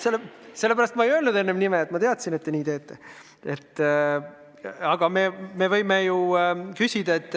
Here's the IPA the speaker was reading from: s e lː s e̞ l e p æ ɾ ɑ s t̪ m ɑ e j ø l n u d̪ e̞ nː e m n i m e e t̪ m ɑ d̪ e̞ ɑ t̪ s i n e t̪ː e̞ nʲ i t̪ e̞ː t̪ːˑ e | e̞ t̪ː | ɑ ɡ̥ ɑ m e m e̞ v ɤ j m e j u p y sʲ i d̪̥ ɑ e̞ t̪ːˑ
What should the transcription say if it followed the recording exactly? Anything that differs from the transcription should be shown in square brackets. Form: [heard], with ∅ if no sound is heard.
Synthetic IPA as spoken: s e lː s e̞ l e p æ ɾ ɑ s t̪ m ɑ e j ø l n u d̪ e̞ nː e m n i m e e t̪ m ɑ [t̪] e̞ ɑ t̪ s i n e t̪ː e̞ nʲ [iː] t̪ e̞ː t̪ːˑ e | e̞ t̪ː | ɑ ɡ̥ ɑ m e m e̞ v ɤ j m e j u [k] y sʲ i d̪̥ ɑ e̞ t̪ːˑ